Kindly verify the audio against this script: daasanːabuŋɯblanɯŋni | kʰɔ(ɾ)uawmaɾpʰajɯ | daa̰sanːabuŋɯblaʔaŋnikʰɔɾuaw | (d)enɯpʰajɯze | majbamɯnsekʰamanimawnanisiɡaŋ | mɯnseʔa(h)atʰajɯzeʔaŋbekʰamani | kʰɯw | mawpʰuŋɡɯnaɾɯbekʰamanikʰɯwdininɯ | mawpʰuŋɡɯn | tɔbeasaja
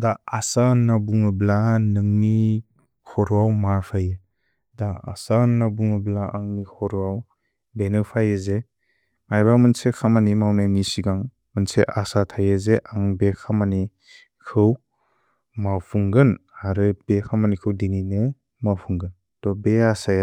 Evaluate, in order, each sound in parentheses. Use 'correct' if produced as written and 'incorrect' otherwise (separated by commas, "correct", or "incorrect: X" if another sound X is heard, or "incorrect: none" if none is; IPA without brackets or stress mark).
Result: correct, incorrect: b, incorrect: s